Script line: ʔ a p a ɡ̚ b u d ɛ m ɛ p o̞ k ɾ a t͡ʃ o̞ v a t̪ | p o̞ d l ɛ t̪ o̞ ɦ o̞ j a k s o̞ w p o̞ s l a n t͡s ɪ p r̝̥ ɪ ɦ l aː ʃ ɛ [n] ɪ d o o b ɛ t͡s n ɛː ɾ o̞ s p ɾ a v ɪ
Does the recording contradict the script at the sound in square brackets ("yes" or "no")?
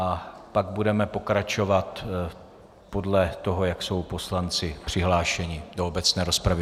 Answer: yes